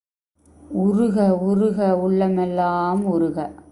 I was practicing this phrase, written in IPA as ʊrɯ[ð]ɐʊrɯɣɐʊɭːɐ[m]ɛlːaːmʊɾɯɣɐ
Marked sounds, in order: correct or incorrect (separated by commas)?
incorrect, correct